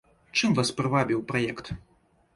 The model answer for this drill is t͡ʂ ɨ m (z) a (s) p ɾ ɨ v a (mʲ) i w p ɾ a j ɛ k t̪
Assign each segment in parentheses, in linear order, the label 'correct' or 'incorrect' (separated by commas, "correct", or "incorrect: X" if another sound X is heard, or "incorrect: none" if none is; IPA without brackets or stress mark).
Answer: incorrect: v, correct, incorrect: bʲ